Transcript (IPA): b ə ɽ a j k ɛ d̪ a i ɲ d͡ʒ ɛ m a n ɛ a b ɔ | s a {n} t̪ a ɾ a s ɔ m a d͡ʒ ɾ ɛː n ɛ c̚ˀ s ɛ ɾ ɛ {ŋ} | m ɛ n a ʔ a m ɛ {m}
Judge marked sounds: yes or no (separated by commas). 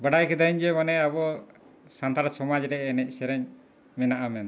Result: yes, no, no